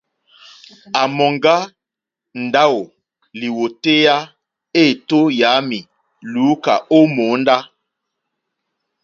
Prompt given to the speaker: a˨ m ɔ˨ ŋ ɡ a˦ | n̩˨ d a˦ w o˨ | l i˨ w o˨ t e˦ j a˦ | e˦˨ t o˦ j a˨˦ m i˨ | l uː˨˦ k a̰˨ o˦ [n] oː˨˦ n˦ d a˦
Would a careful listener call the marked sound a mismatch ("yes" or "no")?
yes